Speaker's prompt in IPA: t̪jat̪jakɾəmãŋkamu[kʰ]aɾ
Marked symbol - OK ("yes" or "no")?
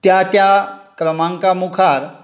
yes